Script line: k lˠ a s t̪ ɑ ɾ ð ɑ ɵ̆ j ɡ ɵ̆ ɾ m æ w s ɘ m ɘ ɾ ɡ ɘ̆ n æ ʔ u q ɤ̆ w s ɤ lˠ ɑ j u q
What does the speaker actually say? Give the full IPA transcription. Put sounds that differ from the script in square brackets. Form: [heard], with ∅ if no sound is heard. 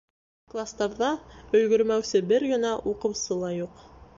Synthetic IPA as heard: k lˠ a s t̪ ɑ ɾ ð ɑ ɵ̆ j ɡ ɵ̆ ɾ m æ w s ɘ [b] ɘ ɾ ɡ ɘ̆ n æ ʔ u q ɤ̆ w s ɤ lˠ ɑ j u q